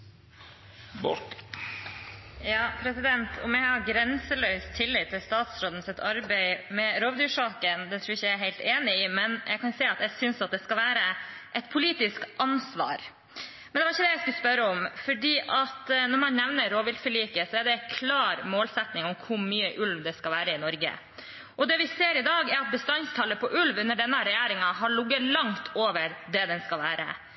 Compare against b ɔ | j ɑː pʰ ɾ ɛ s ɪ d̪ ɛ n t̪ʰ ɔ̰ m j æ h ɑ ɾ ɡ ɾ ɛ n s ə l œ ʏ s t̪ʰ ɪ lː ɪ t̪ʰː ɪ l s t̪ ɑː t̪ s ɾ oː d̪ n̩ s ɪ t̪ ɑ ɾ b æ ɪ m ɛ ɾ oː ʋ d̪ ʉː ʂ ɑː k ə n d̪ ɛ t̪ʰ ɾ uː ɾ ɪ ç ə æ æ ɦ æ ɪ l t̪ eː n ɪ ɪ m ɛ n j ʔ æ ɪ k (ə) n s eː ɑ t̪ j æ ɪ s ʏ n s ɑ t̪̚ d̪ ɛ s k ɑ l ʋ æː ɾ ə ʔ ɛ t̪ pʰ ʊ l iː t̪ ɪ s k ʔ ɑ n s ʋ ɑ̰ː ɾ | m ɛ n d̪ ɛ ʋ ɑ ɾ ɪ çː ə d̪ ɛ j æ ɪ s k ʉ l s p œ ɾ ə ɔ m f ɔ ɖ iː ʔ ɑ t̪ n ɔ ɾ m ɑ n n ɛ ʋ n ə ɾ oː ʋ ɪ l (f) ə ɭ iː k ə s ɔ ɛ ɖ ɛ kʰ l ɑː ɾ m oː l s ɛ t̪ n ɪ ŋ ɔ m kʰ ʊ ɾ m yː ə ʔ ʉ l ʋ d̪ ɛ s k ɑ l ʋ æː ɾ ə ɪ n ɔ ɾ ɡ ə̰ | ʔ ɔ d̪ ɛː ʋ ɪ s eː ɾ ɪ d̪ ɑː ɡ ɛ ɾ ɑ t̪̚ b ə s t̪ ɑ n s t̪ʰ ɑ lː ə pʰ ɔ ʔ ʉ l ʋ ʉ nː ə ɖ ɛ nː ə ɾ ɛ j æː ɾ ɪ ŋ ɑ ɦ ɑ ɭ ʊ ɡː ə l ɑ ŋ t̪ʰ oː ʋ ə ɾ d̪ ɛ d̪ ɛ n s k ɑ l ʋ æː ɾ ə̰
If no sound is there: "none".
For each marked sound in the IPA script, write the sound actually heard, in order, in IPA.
ɑ, f

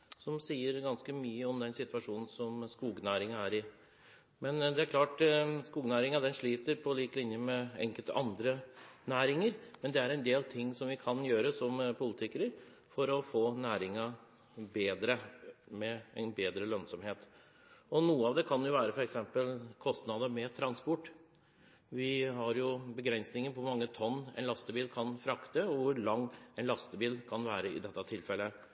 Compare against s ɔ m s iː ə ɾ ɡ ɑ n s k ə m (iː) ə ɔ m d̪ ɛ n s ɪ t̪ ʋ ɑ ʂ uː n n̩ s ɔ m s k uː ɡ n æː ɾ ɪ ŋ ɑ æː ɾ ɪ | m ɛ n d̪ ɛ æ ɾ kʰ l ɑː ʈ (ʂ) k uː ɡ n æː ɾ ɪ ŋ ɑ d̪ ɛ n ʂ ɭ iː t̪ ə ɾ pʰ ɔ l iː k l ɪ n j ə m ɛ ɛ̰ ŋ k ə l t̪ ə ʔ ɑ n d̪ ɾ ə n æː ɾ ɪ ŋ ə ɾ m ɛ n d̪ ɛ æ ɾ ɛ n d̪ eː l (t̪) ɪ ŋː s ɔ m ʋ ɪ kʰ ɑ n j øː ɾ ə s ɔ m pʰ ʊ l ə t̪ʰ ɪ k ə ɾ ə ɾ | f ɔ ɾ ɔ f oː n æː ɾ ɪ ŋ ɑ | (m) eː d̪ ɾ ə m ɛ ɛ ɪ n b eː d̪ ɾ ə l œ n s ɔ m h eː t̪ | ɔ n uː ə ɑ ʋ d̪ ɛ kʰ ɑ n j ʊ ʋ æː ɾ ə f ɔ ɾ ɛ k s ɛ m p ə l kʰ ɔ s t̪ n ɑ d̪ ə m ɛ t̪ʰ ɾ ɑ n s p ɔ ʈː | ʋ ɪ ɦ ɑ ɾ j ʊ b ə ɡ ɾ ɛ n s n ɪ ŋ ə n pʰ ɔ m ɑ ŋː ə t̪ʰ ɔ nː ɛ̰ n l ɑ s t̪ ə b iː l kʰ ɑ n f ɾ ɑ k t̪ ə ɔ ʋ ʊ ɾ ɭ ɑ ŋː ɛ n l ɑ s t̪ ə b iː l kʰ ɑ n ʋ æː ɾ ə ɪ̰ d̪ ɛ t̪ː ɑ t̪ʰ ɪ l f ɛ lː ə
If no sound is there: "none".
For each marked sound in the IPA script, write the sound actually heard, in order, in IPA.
yː, s, t̪ʰ, b

